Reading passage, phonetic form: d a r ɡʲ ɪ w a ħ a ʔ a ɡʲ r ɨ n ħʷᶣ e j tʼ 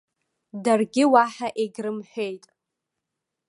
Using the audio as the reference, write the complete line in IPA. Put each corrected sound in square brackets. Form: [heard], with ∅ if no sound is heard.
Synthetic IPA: d a r ɡʲ ɪ w a ħ a ʔ [e] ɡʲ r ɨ [m] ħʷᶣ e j tʼ